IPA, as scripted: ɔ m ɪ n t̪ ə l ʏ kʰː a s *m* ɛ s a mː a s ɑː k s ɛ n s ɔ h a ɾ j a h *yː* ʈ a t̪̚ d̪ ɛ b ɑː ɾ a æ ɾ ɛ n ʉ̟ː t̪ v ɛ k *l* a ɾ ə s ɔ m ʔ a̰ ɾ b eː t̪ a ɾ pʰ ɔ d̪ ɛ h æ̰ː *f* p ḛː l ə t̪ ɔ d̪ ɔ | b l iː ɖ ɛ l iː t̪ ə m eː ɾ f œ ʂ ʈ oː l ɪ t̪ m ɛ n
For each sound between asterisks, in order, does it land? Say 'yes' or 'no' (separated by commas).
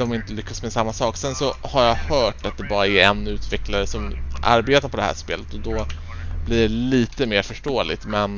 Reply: yes, no, yes, no